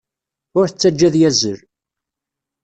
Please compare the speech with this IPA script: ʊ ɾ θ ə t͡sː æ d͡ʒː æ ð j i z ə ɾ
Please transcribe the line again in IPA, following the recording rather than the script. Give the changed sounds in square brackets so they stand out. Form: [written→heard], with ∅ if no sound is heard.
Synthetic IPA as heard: ʊ ɾ θ ə t͡sː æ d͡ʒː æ ð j [i→æ] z ə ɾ